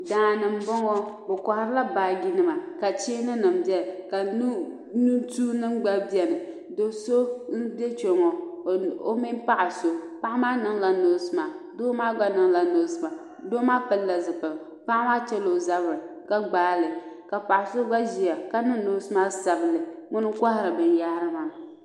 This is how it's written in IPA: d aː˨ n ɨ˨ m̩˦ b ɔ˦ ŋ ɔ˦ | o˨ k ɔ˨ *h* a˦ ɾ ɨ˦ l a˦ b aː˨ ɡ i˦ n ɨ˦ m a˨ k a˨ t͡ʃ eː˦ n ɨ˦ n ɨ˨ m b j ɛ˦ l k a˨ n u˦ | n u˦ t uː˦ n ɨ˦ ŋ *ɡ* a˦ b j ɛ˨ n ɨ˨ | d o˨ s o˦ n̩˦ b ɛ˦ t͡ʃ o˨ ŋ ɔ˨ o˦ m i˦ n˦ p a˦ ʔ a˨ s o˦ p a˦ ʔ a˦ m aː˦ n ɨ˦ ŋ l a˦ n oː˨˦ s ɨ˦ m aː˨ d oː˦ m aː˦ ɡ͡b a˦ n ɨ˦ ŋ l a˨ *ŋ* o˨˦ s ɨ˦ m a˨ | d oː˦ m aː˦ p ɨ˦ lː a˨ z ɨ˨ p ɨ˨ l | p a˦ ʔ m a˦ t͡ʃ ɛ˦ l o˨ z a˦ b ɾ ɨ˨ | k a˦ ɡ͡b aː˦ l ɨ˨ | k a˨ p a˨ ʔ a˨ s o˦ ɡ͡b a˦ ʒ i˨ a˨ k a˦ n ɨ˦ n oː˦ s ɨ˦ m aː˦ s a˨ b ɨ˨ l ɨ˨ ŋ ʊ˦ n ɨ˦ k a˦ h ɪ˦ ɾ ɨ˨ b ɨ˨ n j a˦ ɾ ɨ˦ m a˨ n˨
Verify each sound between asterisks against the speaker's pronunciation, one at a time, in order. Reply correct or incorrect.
correct, incorrect, incorrect

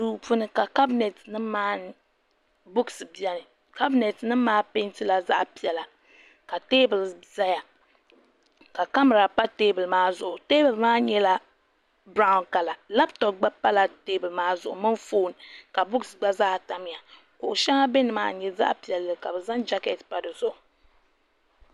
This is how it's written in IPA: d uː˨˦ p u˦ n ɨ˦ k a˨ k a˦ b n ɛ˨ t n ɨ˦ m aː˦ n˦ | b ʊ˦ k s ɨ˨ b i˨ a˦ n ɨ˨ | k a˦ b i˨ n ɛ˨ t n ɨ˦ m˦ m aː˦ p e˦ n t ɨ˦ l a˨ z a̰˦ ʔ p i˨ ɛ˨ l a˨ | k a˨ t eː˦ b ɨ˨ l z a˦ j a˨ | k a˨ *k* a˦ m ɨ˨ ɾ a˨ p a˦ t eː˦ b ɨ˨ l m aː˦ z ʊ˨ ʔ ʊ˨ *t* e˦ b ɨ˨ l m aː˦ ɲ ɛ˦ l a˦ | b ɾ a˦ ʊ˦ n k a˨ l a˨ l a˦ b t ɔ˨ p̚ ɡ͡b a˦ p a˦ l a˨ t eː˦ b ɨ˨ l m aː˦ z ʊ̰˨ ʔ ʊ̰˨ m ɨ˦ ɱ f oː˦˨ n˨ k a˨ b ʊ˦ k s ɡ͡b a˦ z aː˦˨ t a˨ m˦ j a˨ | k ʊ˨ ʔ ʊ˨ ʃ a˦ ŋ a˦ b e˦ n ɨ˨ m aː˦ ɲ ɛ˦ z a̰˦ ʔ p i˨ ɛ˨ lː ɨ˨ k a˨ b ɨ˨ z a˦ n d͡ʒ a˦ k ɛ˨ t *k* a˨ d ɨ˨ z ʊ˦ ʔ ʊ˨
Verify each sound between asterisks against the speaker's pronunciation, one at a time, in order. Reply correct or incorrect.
correct, correct, incorrect

